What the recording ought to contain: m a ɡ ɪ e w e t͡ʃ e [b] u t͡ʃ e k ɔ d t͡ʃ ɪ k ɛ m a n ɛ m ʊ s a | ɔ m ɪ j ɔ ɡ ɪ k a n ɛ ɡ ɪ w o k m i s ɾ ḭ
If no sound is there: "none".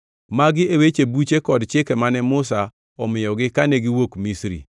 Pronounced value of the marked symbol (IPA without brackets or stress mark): b